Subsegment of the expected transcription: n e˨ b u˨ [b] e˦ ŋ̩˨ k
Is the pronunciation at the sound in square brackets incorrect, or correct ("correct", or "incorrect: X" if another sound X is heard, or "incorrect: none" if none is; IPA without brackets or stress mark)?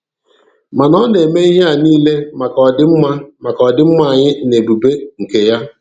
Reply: correct